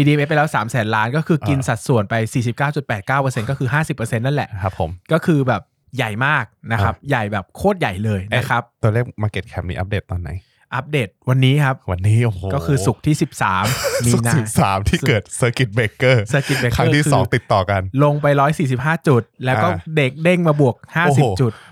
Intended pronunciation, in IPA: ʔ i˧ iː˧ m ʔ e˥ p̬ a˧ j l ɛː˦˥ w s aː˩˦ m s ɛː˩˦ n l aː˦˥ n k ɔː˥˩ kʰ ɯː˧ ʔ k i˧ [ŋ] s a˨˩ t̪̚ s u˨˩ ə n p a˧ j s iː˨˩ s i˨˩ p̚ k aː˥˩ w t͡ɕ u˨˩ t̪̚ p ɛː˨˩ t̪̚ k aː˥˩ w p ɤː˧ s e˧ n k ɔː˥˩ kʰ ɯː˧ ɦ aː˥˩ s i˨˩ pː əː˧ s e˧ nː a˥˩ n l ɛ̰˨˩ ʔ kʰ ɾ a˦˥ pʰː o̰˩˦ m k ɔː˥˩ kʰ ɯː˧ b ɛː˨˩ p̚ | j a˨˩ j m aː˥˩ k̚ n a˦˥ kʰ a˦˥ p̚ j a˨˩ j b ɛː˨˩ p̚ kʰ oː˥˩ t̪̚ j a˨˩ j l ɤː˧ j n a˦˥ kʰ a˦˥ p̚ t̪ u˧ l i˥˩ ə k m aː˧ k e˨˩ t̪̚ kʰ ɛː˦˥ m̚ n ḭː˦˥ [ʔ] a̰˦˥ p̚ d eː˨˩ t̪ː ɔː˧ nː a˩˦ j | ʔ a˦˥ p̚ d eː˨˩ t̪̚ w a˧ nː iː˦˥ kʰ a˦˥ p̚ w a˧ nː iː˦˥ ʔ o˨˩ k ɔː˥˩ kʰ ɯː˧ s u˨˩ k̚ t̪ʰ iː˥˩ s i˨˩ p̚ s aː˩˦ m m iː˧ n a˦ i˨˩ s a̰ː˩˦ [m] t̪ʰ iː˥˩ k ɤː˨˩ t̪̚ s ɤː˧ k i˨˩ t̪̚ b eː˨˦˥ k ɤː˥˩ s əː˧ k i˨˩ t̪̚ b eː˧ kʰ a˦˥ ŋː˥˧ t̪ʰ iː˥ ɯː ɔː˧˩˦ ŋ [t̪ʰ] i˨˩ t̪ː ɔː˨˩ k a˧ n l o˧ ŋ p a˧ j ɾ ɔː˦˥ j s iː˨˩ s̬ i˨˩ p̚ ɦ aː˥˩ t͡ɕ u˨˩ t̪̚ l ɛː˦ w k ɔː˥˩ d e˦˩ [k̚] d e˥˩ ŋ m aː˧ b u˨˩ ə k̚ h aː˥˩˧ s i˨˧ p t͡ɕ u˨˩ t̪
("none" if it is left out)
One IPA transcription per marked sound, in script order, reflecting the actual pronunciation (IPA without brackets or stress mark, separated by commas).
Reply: n, ʔ, m, t̪, k̚